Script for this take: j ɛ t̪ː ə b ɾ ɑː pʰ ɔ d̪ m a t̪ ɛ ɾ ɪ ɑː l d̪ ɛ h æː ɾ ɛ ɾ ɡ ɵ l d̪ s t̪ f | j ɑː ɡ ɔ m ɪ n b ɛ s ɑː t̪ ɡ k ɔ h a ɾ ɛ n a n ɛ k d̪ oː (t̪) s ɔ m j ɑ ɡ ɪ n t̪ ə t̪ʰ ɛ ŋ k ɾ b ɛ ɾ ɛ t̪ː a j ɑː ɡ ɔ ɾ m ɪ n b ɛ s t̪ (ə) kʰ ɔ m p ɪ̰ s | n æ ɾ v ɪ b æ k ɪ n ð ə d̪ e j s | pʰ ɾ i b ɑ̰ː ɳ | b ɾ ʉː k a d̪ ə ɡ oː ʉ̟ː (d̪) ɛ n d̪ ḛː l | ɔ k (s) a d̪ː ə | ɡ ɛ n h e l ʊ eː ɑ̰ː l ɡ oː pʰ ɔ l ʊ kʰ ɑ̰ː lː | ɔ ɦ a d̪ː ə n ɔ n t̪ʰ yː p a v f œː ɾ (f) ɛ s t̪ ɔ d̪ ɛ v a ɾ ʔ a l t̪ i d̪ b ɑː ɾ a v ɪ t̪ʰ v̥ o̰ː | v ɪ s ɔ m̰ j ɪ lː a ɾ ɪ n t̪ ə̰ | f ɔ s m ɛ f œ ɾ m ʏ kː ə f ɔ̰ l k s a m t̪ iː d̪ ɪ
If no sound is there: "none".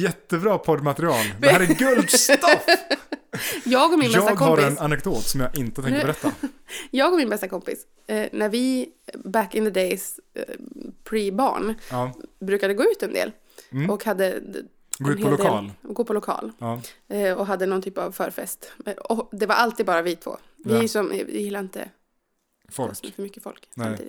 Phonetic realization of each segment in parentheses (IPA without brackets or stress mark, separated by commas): t̪, a, t̪, h, f